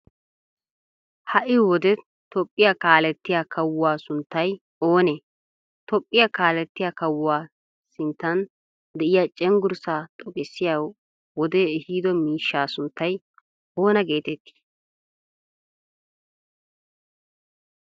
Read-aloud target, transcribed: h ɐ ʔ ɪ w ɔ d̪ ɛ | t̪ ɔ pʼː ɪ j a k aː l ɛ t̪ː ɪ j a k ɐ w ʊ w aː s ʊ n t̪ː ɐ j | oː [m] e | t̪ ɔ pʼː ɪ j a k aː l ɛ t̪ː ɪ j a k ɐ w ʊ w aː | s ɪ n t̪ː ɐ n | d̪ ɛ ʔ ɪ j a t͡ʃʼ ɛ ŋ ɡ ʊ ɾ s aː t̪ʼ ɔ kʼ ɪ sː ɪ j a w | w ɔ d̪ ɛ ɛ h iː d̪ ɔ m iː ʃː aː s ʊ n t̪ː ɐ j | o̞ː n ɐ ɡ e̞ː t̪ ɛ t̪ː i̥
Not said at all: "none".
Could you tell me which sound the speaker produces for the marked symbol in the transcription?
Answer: n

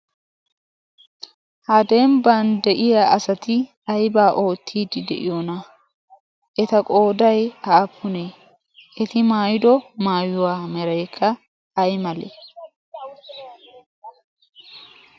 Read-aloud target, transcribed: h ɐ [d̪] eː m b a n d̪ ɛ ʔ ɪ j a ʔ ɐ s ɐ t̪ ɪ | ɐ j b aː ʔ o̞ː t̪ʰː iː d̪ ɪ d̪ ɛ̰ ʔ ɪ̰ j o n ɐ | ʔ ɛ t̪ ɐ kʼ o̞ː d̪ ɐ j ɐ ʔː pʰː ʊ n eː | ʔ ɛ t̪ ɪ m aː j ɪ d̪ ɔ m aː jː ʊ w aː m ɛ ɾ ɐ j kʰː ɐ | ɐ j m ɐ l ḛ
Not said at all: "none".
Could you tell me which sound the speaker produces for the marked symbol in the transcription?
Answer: d̪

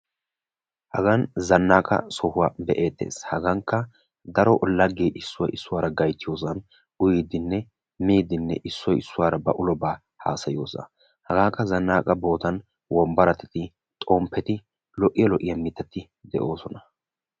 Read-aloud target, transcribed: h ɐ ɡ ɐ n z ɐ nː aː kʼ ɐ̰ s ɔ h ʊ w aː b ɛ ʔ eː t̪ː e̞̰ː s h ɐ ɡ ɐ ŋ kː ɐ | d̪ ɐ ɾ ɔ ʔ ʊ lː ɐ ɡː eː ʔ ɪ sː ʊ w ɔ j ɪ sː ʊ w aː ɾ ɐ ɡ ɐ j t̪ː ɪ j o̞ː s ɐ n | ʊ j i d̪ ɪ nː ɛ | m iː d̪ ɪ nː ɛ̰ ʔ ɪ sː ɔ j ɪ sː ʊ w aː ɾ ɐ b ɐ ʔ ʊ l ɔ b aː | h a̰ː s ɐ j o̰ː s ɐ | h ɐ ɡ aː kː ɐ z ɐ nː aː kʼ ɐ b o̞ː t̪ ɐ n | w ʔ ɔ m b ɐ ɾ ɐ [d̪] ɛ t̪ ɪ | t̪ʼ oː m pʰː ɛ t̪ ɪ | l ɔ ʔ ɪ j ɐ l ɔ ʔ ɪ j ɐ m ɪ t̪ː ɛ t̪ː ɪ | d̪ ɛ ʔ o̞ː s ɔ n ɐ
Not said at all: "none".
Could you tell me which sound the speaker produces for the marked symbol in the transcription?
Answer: t̪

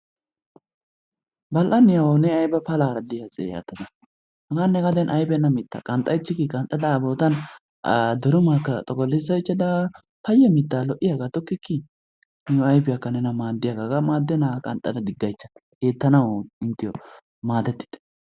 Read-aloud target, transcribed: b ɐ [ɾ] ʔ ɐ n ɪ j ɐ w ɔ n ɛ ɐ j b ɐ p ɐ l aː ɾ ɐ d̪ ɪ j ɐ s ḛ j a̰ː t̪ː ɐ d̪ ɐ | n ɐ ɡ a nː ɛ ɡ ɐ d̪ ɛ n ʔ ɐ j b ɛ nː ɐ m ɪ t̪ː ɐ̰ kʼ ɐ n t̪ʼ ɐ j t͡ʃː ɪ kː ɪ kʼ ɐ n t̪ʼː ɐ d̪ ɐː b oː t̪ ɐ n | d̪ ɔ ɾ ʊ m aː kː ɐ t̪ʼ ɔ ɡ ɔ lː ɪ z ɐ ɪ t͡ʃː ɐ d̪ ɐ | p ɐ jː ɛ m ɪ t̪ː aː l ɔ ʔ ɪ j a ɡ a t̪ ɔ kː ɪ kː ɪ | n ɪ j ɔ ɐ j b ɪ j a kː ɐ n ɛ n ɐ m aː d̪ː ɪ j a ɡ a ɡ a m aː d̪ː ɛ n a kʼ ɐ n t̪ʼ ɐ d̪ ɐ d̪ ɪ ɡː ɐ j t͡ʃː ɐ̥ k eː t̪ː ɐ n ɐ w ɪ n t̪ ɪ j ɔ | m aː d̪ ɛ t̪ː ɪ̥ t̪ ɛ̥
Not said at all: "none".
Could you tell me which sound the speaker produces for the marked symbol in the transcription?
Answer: l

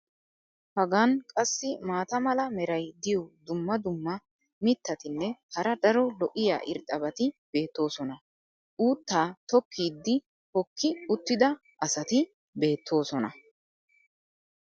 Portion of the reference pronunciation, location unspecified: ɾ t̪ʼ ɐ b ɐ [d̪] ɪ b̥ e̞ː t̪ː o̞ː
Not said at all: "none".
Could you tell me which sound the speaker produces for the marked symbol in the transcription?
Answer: t̪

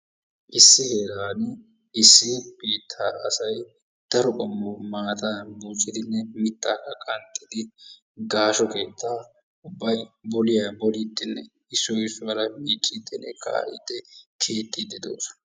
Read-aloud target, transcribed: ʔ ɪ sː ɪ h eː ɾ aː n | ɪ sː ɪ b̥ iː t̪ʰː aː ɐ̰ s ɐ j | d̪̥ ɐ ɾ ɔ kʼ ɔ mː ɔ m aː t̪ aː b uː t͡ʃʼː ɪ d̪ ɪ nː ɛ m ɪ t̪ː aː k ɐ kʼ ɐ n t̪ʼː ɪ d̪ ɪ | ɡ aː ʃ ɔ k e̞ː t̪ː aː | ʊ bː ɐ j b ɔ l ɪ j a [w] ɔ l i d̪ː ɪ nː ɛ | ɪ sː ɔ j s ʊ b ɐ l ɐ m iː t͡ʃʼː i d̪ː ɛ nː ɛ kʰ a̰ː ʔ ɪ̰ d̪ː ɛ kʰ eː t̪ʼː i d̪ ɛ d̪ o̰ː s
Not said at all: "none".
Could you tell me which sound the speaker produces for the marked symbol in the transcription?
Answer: b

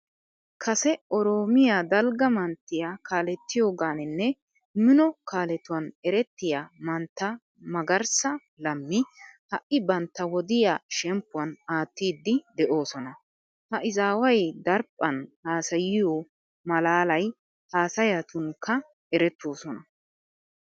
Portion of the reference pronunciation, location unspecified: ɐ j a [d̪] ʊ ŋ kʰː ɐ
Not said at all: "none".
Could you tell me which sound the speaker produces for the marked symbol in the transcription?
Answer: t̪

